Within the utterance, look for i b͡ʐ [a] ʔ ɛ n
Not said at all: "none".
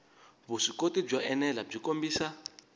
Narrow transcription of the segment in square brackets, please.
a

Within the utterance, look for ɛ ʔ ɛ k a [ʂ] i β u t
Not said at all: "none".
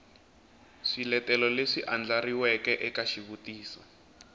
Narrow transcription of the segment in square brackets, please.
ʃ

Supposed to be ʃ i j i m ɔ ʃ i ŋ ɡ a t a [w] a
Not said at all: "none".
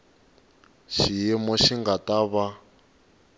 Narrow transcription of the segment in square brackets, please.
β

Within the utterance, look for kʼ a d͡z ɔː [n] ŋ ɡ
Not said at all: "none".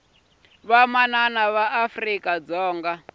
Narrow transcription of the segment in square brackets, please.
none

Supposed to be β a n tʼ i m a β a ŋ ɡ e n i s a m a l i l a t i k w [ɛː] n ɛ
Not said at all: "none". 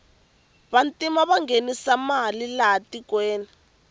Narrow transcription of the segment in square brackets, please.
ɛː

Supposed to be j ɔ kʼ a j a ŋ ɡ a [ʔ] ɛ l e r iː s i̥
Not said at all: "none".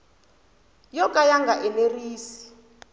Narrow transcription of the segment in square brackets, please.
ʔ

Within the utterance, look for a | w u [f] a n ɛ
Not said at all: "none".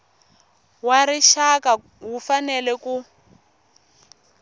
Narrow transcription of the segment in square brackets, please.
f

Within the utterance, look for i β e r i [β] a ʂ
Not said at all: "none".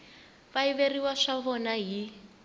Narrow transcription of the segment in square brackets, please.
w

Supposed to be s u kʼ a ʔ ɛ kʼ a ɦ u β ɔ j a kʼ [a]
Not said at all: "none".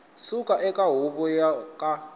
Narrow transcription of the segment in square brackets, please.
a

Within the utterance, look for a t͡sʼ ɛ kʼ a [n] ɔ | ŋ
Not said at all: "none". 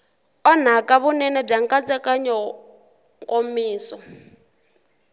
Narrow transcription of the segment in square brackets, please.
ɲ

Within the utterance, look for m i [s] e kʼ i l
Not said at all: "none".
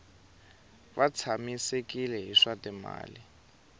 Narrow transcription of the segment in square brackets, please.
s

